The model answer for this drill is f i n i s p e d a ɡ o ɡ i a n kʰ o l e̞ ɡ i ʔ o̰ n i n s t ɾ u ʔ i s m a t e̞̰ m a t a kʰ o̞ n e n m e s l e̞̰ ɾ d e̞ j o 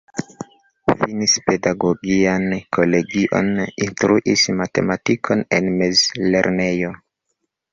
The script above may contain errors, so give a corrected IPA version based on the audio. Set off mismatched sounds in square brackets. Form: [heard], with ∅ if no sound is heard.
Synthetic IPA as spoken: f i n i s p e d a ɡ o ɡ i a n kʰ o l e̞ ɡ i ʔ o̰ n i n s t ɾ u ʔ i s m a t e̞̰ m a t [i] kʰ o̞ n e n m e [z] l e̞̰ ɾ [n] e̞ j o